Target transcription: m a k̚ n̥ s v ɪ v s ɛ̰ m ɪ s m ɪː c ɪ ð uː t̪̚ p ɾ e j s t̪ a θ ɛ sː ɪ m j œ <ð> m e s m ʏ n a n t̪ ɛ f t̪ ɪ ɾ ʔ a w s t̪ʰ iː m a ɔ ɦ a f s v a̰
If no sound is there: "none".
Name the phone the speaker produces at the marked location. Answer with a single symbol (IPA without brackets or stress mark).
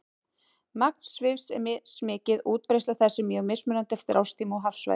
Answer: ɣ